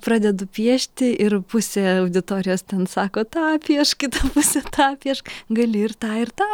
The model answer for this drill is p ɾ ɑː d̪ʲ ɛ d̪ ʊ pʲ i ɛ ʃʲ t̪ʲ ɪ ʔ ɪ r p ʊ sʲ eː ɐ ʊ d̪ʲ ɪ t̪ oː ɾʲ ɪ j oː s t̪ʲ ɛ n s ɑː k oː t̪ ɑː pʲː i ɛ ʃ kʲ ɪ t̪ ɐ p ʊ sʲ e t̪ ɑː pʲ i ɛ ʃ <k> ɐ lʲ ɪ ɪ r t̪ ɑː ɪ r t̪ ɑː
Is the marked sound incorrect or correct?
incorrect